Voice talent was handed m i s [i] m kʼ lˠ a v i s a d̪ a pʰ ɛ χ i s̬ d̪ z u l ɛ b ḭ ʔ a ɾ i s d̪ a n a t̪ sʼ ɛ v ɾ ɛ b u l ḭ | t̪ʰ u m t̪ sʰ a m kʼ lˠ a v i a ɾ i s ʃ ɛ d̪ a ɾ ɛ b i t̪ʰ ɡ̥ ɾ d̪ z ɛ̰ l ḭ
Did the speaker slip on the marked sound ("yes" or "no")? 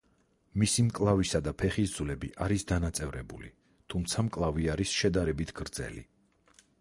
no